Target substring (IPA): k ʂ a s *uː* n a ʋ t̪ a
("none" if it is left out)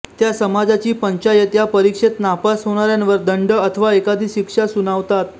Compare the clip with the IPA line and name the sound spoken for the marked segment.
u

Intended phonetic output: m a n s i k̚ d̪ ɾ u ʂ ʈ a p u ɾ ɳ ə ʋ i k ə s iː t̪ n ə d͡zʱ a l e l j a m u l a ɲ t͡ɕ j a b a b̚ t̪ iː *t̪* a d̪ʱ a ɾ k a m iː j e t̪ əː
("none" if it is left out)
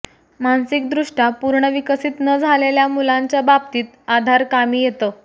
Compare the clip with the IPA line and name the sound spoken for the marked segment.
t̪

